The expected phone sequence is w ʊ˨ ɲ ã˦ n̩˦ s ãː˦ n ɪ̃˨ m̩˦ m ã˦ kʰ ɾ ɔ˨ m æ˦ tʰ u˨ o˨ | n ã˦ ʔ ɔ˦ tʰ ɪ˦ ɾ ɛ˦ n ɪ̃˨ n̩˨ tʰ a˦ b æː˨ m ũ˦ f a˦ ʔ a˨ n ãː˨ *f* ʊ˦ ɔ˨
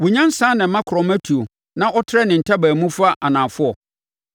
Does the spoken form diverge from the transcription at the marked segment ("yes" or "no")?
no